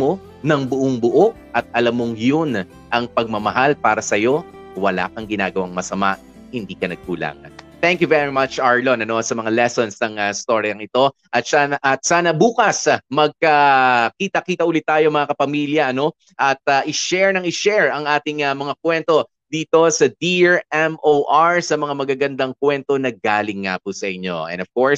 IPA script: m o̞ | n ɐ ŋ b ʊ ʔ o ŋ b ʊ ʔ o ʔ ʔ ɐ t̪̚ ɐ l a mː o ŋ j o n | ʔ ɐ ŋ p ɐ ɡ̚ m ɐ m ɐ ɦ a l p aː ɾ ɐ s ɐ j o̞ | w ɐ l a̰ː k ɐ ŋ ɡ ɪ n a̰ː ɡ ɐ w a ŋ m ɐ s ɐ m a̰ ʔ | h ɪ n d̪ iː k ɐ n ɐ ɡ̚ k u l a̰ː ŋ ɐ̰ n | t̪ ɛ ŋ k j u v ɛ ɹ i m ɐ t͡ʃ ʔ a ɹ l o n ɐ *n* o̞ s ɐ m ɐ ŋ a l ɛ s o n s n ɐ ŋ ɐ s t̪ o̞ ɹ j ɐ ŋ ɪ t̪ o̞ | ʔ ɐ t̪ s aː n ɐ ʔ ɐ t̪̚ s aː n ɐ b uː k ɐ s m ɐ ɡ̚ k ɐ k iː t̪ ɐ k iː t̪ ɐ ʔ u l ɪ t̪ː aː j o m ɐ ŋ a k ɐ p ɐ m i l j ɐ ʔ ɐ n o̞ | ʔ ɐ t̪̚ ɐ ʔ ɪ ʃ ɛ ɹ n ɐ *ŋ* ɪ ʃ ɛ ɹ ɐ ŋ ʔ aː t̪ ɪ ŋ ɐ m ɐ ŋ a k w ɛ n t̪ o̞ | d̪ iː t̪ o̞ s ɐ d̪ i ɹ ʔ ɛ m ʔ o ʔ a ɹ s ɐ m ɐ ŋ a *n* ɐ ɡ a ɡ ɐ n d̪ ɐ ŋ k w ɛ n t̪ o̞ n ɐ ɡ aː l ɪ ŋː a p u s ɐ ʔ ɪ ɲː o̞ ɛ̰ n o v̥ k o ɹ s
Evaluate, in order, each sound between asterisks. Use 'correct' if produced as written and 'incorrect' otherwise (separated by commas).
correct, correct, incorrect